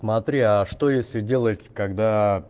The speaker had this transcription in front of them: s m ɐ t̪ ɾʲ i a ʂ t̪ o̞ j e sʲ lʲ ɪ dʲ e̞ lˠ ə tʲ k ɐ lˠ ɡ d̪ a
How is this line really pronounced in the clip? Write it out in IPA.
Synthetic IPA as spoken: s m ɐ t̪ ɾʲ i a ʂ t̪ o̞ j e sʲ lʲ ɪ dʲ e̞ lˠ ə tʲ k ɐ ɡ d̪ a